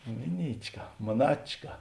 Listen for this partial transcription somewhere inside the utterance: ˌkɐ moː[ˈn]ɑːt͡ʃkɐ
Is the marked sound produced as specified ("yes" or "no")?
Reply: yes